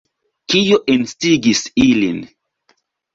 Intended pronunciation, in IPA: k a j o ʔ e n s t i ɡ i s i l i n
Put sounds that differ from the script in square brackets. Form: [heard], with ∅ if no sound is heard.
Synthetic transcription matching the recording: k [i] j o ʔ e n s t i ɡ i s i l i n